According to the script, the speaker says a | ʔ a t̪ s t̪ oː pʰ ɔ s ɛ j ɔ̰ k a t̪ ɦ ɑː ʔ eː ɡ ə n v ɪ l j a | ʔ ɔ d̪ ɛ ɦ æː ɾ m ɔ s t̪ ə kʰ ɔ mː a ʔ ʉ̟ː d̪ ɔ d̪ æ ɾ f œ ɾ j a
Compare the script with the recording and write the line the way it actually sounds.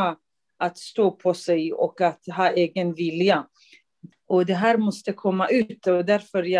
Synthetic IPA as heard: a | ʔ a t̪ s t̪ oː pʰ ɔ s ɛ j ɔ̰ k a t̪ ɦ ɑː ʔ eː ɡ ə n v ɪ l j a | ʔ ɔ d̪ ɛ ɦ æː ɾ m ɔ s t̪ ə kʰ ɔ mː a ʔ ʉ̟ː t̪ ɔ d̪ æ ɾ f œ ɾ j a